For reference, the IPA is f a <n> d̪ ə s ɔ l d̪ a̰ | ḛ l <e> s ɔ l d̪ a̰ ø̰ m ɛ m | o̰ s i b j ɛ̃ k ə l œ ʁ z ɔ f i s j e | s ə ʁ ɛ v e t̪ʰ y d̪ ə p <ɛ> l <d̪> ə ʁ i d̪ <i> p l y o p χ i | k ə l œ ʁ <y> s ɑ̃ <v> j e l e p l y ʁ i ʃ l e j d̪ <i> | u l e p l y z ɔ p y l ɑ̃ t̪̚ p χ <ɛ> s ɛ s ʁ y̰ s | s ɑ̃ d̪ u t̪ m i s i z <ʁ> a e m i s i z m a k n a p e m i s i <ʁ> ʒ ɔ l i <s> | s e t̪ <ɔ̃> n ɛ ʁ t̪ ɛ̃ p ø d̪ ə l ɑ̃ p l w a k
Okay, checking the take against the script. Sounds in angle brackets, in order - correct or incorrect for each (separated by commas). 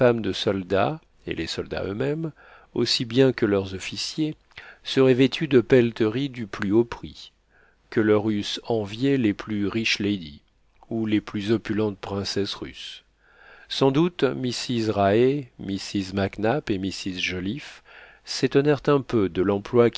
incorrect, correct, correct, incorrect, incorrect, correct, correct, correct, incorrect, correct, incorrect, incorrect, incorrect